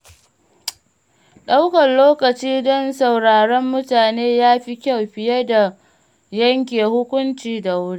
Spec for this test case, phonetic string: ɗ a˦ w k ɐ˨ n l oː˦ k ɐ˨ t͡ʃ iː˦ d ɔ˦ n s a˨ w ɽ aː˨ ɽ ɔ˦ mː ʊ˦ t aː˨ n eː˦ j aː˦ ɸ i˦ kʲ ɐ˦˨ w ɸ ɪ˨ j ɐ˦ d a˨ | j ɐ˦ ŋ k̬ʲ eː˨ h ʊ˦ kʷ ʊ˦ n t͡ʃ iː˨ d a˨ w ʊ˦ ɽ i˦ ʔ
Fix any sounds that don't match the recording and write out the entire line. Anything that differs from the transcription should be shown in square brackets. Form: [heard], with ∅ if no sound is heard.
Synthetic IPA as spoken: ɗ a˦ w k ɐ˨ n l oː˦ k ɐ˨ t͡ʃ iː˦ d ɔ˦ n s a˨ w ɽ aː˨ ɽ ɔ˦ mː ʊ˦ t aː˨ n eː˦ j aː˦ ɸ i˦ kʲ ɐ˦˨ w ɸ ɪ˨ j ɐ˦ d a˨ | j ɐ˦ ŋ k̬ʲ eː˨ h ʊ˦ kʷ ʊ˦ n t͡ʃ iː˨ d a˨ w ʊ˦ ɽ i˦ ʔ